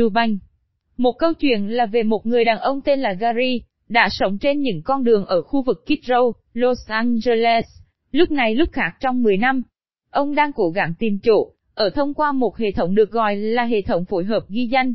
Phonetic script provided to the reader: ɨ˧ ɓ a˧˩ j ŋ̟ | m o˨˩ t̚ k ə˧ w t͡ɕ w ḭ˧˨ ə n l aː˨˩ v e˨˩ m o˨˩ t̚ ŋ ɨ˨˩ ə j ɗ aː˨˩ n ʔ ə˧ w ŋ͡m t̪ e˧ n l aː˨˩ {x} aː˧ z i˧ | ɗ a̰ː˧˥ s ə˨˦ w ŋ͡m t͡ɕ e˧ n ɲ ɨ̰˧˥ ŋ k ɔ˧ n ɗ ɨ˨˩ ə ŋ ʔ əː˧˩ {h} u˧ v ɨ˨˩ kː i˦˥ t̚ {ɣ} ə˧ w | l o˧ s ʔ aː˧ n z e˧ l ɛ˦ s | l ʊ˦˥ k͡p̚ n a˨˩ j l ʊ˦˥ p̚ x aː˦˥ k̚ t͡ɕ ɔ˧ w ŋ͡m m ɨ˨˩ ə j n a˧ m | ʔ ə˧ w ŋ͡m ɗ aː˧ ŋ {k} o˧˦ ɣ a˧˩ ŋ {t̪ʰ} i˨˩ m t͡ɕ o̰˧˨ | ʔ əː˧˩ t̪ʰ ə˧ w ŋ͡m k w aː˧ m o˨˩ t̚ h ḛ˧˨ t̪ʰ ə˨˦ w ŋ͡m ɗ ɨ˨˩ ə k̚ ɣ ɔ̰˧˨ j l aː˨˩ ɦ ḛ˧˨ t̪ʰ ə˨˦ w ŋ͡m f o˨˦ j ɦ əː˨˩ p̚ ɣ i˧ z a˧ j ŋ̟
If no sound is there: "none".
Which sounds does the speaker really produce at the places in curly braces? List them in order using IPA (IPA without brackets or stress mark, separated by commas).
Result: ɣ, x, z, k, t̪